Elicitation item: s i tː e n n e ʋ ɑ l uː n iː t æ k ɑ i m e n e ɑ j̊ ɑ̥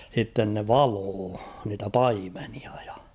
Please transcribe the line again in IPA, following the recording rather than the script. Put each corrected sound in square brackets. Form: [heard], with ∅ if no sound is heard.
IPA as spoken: s i tː e n n e ʋ ɑ l [oː] n iː t æ [p] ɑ i m e n [i] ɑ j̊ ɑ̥